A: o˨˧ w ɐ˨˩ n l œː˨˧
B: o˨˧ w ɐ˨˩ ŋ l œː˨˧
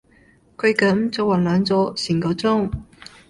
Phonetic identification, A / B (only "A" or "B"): A